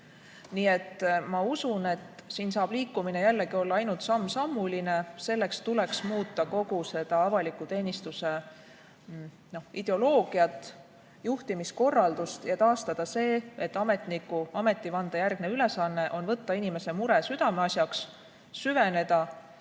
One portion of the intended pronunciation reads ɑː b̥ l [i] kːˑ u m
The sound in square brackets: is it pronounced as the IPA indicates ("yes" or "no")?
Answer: no